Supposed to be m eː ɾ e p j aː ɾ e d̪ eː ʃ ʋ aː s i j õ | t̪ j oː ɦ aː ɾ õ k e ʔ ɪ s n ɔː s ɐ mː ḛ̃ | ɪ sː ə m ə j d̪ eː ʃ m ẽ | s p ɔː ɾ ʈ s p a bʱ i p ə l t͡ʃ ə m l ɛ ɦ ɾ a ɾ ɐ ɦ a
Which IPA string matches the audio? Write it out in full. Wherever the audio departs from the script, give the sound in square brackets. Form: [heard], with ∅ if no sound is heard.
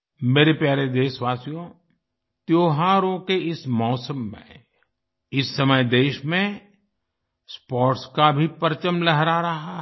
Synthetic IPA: m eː ɾ e p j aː ɾ e d̪ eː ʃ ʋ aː s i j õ | t̪ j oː ɦ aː ɾ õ k e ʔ ɪ s [m] ɔː s [ə] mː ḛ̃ | ɪ sː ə m ə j d̪ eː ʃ m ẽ | s p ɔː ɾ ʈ s [k] a bʱ i p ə [ɾ] t͡ʃ ə m l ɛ ɦ ɾ a ɾ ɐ ɦ a